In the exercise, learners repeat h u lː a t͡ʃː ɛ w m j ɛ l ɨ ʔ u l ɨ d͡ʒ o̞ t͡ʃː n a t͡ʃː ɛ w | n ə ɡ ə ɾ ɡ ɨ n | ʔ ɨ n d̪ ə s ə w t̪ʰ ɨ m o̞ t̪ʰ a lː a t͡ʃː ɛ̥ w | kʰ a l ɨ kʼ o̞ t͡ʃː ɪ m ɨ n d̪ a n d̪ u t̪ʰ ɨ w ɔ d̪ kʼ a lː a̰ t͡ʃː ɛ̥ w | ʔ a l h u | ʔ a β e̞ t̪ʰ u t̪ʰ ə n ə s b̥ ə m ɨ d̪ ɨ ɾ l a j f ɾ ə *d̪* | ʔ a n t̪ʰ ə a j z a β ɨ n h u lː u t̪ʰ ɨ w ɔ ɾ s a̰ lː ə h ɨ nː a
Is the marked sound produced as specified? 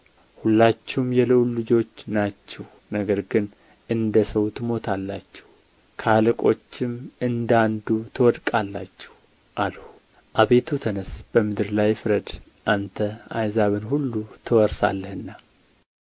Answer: yes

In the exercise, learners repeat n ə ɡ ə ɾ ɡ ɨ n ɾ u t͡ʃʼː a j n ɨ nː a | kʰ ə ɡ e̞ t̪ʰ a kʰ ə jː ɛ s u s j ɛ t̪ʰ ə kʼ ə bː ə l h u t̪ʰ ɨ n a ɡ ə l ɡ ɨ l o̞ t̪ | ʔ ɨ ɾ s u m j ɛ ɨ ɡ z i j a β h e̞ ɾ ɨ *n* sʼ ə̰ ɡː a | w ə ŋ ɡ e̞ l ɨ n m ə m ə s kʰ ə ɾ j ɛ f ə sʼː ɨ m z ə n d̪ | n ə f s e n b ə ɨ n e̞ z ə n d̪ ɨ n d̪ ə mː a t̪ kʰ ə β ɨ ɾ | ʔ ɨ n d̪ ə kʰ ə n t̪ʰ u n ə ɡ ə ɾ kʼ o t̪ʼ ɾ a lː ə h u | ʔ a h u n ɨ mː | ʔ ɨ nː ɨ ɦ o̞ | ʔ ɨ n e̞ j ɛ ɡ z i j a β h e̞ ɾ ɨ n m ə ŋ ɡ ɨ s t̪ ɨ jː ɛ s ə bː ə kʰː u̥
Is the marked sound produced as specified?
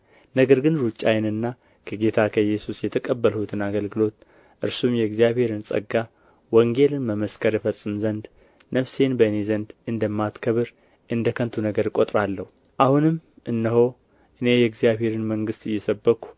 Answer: yes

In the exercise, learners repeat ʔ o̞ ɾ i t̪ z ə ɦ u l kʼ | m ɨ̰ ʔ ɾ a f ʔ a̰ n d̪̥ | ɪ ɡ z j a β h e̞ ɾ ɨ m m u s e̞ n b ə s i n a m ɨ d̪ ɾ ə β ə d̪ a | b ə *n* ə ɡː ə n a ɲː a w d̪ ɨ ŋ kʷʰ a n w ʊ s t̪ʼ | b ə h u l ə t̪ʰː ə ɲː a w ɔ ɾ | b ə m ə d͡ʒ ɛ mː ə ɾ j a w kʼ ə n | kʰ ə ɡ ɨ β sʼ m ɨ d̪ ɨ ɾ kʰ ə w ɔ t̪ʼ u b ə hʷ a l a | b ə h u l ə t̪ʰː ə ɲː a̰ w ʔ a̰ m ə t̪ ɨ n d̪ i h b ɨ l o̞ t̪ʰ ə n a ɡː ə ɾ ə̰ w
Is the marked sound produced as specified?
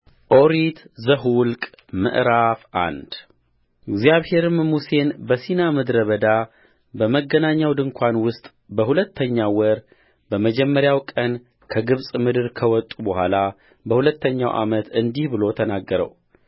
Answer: no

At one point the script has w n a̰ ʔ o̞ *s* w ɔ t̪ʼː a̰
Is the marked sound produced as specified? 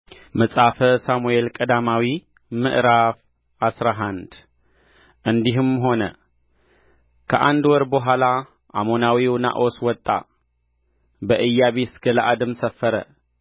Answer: yes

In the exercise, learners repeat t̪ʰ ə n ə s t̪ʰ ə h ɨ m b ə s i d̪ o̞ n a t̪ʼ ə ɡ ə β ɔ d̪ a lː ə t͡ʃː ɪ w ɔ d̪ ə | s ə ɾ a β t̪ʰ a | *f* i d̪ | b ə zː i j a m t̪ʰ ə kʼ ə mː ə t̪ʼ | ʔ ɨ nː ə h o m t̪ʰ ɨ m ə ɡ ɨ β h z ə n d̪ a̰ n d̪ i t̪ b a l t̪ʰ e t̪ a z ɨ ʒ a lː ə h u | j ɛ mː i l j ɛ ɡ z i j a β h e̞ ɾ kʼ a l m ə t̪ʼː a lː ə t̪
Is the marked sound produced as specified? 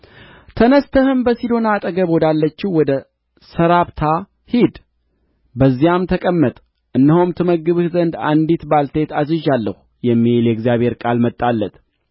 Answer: no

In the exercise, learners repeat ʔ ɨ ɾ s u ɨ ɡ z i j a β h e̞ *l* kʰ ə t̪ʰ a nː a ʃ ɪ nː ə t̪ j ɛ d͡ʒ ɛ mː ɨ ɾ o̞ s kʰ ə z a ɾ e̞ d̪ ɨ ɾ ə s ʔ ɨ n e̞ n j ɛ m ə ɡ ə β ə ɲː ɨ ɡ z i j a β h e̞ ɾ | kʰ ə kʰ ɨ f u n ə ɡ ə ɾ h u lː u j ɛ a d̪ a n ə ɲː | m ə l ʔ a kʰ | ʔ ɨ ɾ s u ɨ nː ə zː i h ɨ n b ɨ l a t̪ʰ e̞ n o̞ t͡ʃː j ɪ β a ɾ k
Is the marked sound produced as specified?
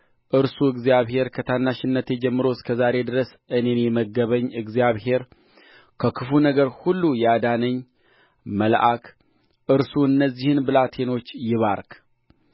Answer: no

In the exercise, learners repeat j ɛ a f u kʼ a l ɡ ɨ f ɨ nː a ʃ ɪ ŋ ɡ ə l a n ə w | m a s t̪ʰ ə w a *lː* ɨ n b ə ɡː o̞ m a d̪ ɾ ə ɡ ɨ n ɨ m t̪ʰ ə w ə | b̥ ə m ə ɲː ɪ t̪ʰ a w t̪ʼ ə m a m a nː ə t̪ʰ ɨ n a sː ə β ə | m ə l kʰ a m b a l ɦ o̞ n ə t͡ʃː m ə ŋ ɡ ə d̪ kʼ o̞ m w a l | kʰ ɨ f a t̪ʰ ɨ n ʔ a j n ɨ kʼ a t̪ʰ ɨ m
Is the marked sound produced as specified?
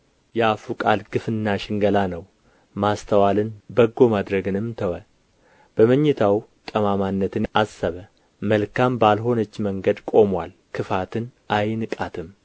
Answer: no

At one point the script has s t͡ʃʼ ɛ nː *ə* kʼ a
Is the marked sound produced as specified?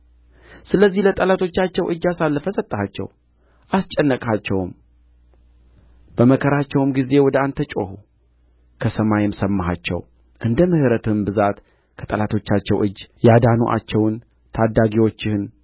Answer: yes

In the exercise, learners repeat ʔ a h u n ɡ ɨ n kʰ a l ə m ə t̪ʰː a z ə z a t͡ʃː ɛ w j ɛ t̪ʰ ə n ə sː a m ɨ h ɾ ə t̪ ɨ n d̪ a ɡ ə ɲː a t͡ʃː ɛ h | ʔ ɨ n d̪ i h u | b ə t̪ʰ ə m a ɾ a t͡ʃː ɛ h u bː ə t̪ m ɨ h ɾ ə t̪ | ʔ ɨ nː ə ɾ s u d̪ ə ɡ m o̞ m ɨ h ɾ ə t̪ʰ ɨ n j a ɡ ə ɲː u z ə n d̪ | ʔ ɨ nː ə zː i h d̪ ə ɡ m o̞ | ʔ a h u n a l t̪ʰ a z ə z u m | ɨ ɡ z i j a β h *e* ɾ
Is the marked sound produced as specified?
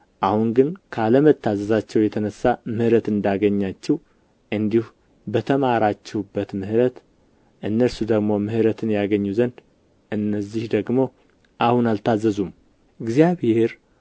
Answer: yes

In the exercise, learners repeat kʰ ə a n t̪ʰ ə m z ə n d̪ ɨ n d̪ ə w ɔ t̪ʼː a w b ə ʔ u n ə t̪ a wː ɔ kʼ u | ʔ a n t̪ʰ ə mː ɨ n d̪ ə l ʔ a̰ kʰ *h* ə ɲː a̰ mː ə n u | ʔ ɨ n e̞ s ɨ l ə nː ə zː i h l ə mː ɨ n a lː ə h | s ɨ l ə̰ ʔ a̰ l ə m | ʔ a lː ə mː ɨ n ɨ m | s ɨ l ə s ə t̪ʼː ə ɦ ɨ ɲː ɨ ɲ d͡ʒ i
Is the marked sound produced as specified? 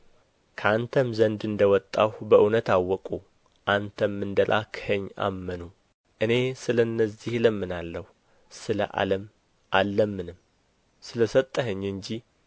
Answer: yes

